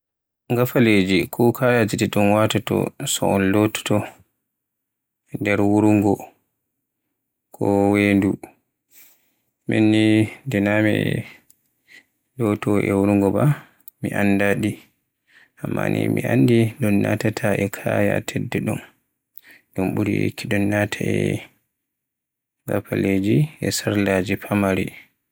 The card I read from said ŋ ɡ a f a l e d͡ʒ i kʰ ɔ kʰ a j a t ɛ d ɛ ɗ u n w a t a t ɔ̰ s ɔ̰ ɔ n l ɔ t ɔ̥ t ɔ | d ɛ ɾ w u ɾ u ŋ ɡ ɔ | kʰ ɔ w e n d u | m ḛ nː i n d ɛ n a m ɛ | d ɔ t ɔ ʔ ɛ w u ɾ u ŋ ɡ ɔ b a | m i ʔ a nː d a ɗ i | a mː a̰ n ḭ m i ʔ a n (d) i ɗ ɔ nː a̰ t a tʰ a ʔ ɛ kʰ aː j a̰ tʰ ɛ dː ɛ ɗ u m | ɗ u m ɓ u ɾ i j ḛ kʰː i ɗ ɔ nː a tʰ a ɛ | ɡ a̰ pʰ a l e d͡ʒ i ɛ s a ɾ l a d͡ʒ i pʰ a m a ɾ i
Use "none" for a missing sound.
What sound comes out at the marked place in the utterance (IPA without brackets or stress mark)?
d